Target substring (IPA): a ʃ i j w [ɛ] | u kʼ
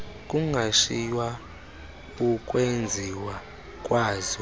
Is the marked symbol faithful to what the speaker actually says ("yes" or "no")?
no